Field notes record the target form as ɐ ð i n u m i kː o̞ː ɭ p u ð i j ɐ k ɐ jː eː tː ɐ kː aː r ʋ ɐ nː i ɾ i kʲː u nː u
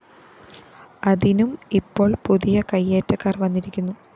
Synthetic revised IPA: ɐ ð i n u m i pː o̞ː ɭ p u ð i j ɐ k ɐ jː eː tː ɐ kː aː r ʋ ɐ nː i ɾ i kʲː u nː u